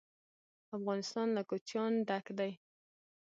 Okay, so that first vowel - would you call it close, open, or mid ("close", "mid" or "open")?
open